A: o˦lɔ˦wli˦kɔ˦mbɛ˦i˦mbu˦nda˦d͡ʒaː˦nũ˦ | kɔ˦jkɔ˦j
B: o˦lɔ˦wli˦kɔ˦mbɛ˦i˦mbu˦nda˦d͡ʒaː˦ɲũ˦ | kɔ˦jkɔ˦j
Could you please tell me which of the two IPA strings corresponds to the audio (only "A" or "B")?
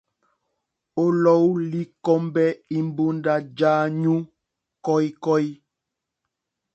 B